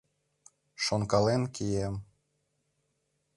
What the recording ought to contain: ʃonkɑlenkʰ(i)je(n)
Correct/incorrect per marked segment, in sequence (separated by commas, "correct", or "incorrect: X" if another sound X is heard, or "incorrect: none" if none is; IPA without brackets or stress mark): correct, incorrect: m